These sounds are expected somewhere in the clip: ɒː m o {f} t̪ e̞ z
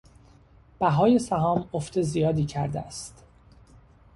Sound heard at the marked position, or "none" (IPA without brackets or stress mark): f